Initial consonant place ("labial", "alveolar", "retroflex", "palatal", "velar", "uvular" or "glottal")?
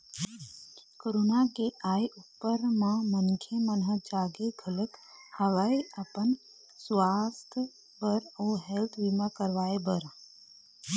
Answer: velar